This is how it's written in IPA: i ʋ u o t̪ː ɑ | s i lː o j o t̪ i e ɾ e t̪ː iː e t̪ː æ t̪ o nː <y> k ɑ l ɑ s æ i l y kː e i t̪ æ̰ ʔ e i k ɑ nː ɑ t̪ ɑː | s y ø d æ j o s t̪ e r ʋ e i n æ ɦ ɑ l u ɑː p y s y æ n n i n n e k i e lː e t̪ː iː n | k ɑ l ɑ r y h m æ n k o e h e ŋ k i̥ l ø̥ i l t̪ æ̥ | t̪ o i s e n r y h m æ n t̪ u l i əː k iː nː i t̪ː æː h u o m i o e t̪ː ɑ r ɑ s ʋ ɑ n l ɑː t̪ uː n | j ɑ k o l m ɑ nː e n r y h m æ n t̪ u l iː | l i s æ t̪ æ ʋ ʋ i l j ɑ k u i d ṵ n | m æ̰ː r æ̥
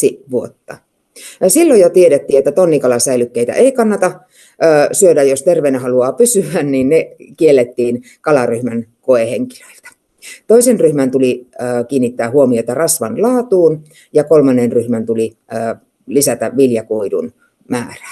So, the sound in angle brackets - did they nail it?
no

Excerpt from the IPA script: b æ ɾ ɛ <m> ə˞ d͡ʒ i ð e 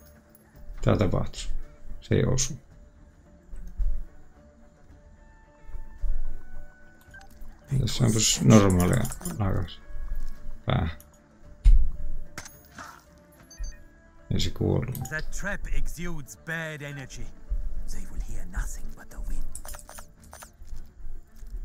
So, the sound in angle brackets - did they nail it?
no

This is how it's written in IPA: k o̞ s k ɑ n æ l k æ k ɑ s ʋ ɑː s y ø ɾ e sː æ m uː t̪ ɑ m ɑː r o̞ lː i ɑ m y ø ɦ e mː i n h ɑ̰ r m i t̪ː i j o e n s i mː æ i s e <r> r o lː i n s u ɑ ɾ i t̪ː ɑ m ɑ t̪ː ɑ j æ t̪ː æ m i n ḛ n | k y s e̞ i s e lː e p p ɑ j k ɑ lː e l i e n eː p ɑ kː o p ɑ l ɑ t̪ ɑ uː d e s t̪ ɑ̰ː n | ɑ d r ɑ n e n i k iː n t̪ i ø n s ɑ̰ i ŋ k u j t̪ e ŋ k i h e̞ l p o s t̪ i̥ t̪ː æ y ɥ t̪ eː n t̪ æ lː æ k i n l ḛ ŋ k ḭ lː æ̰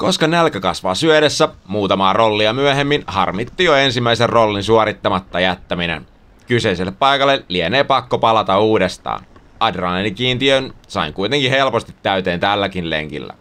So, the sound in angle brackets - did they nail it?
yes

